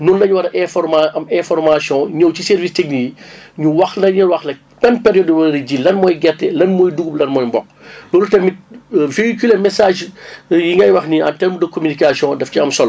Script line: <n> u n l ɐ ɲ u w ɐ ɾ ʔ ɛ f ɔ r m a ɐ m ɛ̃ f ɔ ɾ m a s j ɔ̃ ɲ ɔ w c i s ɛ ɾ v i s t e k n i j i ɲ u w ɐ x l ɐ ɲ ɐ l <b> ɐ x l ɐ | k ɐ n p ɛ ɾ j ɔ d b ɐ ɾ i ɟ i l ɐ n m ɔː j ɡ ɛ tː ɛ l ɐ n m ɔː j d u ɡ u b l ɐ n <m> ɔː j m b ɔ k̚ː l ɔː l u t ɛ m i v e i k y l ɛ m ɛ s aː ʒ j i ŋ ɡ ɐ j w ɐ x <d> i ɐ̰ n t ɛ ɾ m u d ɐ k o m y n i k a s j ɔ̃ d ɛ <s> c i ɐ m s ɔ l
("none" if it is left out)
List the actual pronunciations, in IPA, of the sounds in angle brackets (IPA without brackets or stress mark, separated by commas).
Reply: n, w, m, n, f